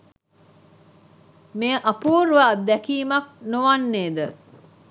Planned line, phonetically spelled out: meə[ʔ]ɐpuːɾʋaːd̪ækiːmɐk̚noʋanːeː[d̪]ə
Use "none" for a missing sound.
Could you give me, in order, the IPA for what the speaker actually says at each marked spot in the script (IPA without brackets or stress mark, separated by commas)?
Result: ʔ, d̪